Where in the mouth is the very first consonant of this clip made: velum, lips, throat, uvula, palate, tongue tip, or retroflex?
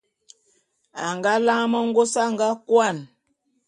velum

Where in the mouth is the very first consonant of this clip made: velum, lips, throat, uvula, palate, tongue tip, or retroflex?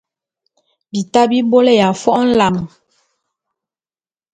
lips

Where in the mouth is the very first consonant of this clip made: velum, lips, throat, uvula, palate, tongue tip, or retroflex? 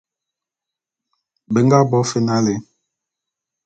lips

